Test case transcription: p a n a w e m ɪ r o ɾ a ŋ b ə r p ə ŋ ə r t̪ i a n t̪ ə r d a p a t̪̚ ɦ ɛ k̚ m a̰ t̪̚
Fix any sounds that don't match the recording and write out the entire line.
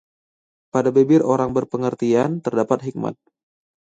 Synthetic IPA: p a d a b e b ɪ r o ɾ a ŋ b ə r p ə ŋ ə r t̪ i a n t̪ ə r d a p a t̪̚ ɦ i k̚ m a̰ t̪̚